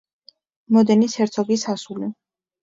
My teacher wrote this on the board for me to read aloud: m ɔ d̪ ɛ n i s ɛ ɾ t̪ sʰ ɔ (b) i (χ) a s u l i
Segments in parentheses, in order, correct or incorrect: incorrect, incorrect

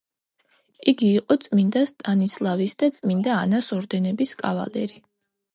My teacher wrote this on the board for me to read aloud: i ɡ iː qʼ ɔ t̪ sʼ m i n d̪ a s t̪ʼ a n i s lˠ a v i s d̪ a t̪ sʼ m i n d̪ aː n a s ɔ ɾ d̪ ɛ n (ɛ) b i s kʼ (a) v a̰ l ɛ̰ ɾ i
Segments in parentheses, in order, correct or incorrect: correct, correct

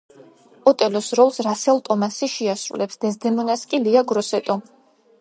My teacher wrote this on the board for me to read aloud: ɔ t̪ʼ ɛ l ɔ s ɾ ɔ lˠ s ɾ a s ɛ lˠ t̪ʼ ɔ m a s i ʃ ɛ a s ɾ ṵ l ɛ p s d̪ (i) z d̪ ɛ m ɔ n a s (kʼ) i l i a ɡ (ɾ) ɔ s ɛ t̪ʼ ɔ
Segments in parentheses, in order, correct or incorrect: incorrect, correct, correct

